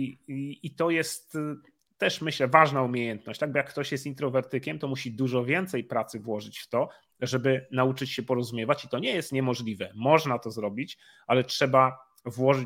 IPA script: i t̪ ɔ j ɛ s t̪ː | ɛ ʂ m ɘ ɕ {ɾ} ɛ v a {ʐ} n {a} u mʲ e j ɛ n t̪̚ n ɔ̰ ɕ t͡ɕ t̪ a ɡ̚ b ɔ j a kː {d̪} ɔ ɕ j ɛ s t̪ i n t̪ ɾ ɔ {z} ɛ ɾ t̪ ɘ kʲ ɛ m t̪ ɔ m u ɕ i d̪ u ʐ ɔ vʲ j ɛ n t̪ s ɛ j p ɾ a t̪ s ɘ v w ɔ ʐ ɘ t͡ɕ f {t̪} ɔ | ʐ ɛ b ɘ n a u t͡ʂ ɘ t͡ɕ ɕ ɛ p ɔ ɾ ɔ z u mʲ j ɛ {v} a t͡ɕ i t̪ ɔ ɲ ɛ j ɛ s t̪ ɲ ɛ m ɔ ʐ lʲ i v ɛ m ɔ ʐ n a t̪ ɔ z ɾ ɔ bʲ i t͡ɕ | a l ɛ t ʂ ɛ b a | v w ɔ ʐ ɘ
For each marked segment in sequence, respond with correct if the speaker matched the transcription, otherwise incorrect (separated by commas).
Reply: incorrect, correct, correct, incorrect, incorrect, correct, correct